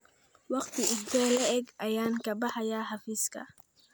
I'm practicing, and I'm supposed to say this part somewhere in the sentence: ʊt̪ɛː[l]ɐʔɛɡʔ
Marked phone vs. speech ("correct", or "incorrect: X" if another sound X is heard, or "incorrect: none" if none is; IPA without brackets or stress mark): correct